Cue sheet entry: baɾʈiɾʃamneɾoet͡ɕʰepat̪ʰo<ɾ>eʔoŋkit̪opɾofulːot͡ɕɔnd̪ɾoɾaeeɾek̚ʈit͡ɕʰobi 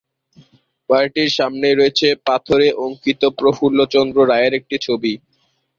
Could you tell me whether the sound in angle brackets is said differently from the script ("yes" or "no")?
no